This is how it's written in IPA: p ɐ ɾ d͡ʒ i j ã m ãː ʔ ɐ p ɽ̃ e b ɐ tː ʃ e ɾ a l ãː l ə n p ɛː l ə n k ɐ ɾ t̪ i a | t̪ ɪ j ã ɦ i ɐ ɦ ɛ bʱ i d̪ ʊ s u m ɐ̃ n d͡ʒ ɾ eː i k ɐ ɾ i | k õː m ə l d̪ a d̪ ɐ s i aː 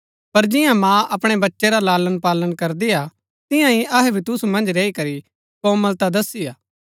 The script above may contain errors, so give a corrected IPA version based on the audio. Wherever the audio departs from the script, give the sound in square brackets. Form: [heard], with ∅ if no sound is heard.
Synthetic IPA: p ɐ ɾ d͡ʒ [ɪ] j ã m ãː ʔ ɐ p ɽ̃ e b ɐ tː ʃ e ɾ a l [aː] l ə n p [aː] l ə n k ɐ ɾ [d̪] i a | t̪ ɪ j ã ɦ i ɐ ɦ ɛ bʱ i [t̪] ʊ s u m ɐ̃ n d͡ʒ ɾ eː i k ɐ ɾ i | k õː m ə l [t̪] a d̪ ɐ s i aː